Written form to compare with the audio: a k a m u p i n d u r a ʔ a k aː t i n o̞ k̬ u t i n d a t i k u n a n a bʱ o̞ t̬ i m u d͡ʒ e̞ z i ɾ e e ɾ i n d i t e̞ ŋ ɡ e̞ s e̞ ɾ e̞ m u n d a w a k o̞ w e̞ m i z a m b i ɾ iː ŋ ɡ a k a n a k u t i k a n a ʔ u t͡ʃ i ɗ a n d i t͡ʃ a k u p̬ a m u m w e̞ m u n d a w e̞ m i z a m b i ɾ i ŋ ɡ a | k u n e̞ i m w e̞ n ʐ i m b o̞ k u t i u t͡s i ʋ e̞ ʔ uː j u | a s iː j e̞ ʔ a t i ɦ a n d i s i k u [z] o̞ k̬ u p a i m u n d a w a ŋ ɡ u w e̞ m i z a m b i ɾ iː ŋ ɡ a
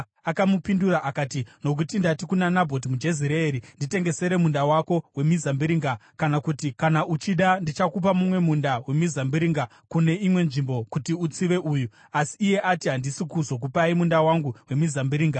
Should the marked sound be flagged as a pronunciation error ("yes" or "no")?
no